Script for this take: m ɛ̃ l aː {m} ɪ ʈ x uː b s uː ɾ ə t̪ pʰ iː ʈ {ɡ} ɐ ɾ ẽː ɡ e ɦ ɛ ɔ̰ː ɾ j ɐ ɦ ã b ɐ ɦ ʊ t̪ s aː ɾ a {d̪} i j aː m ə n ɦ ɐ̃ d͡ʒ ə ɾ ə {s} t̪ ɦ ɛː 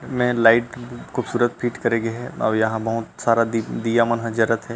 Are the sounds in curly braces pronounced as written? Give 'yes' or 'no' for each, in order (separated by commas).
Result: no, no, yes, no